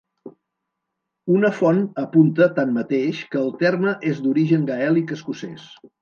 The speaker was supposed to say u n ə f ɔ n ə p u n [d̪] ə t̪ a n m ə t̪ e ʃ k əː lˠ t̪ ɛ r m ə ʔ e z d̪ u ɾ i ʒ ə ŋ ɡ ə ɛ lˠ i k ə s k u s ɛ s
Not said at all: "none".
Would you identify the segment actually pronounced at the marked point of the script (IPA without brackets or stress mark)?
t̪